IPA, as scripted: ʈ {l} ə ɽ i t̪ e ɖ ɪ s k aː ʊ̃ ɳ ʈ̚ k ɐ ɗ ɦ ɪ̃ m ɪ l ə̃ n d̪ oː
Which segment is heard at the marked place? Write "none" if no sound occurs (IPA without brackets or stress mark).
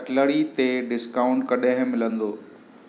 l